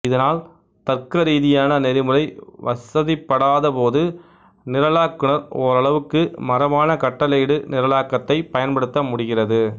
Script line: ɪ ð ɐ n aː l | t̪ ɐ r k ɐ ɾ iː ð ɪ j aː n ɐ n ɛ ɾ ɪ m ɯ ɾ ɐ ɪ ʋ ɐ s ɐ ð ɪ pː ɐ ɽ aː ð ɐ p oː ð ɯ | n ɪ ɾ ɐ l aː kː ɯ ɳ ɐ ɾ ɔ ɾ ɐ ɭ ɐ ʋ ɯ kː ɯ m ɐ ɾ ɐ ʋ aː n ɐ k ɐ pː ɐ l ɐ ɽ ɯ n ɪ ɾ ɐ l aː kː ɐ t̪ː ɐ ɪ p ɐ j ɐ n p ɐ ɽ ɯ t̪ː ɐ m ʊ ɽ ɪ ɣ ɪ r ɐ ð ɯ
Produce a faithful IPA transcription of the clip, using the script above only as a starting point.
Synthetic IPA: ɪ ð ɐ n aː l | t̪ ɐ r k ɐ ɾ iː ð ɪ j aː n ɐ n ɛ ɾ ɪ m ɯ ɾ ɐ ɪ ʋ ɐ s ɐ ð ɪ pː ɐ ɽ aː ð ɐ p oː ð ɯ | n ɪ ɾ ɐ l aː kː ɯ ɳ ɐ ɾ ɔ ɾ ɐ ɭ ɐ ʋ ɯ kː ɯ m ɐ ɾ ɐ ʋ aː n ɐ k ɐ ʈː ɐ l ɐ ɽ ɯ n ɪ ɾ ɐ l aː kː ɐ t̪ː ɐ ɪ p ɐ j ɐ n p ɐ ɽ ɯ t̪ː ɐ m ʊ ɽ ɪ ɣ ɪ r ɐ ð ɯ